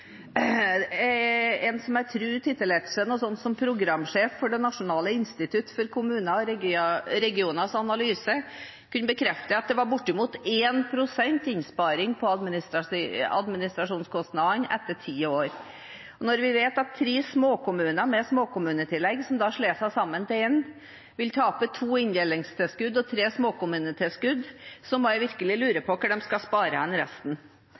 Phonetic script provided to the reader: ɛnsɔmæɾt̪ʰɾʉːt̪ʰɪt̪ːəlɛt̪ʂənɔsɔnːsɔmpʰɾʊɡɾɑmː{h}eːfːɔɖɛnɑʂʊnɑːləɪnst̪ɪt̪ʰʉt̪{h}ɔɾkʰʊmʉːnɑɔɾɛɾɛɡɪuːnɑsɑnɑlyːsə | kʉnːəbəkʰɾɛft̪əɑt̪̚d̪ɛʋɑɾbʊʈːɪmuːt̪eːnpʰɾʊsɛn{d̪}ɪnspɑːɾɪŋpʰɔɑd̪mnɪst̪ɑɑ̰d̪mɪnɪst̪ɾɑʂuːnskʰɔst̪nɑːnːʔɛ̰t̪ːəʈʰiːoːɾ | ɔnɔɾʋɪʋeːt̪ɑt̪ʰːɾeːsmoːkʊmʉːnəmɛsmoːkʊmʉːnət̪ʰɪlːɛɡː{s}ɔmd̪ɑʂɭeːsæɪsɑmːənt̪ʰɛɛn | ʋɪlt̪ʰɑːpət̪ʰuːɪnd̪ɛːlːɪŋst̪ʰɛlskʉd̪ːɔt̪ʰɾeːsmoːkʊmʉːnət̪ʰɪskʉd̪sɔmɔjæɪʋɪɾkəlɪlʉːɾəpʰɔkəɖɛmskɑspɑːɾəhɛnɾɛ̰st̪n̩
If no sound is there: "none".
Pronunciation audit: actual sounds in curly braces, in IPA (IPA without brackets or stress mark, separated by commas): ʂ, f, t̪, s